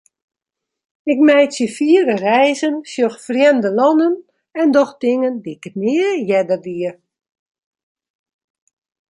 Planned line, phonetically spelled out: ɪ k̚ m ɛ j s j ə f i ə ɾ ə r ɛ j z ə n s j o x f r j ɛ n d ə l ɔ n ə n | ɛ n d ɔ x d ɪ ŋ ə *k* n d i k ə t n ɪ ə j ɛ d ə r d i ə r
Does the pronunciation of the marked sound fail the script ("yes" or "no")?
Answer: yes